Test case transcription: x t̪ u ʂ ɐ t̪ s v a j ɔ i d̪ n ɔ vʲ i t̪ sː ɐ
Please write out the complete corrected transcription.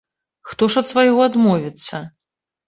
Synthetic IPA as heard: x t̪ ɔ ʂ ɐ t̪ s v a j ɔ a d̪ m ɔ vʲ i t̪ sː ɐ